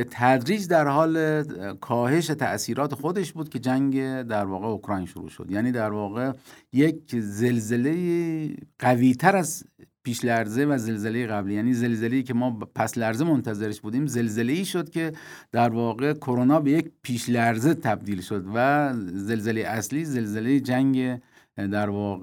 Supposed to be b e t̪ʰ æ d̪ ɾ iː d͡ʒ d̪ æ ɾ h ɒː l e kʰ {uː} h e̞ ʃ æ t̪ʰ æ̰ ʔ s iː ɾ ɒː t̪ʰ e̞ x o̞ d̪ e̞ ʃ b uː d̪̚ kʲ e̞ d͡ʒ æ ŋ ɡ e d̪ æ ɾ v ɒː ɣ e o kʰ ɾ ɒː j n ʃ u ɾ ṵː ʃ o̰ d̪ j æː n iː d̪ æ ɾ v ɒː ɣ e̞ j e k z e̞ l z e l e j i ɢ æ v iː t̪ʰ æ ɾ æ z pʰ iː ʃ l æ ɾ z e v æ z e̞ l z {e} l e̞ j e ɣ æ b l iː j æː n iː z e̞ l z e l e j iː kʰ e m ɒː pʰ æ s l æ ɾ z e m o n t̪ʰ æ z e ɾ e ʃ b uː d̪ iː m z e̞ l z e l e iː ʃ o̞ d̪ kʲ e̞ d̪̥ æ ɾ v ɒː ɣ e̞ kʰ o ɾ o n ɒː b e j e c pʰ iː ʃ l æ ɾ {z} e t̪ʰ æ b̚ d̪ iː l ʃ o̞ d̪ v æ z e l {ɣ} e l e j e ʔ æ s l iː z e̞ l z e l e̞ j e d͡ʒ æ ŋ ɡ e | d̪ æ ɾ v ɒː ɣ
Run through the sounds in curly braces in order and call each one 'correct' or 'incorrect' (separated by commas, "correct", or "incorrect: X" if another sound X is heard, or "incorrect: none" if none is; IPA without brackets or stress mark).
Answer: incorrect: ɒː, correct, correct, incorrect: z